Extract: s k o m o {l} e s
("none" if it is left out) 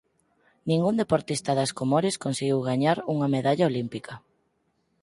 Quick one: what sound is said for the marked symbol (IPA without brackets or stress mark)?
ɾ